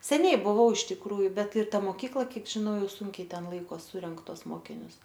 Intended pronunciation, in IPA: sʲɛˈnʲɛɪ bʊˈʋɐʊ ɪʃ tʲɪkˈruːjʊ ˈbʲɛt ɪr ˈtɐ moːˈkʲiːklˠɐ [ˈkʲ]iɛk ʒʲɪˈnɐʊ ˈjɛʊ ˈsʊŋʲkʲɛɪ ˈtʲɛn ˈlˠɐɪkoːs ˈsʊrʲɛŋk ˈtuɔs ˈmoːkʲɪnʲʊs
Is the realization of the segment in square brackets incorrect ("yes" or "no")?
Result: no